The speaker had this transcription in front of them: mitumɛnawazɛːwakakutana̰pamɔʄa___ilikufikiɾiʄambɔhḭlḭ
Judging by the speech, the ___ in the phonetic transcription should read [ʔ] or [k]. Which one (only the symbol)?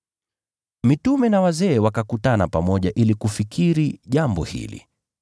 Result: ʔ